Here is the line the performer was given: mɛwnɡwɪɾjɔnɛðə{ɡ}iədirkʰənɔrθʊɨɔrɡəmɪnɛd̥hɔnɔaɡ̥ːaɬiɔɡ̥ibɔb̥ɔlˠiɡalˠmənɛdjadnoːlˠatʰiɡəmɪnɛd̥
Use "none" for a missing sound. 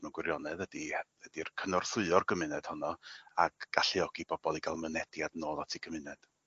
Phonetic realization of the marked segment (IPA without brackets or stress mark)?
d